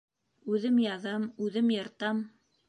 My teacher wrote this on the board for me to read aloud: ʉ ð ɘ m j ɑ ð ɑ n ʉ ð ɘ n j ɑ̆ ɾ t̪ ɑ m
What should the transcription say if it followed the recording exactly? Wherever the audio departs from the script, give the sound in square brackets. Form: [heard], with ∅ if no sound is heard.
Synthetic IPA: ʉ ð ɘ m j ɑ ð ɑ [m] ʉ ð ɘ [m] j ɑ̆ ɾ t̪ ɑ m